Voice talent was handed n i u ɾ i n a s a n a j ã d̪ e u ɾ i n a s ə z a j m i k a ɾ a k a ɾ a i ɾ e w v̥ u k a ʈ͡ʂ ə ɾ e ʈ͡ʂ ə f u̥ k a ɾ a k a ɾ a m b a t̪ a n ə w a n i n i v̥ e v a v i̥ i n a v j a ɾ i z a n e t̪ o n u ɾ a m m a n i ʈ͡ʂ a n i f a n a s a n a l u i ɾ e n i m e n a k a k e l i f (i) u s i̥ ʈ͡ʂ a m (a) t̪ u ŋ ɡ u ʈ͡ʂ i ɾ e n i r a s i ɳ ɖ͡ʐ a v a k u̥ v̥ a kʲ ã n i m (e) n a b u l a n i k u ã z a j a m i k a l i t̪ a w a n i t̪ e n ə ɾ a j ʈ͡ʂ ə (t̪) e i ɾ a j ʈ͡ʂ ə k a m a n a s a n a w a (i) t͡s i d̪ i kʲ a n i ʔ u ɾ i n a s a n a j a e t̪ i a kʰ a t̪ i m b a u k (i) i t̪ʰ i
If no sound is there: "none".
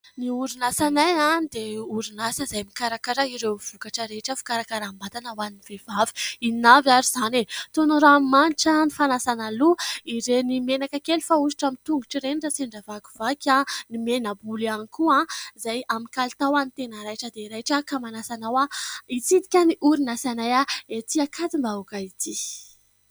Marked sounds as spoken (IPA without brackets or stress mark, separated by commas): a, i, e, d̪, i, a